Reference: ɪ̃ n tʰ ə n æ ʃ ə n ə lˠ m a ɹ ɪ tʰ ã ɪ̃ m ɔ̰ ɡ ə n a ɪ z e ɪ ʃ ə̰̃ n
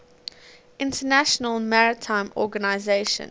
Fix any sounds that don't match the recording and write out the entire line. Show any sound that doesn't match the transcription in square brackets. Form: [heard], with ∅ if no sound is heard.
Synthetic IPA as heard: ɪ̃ n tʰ ə n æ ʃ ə n ə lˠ m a ɹ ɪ tʰ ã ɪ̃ m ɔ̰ ɡ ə n a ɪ z e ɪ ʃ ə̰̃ n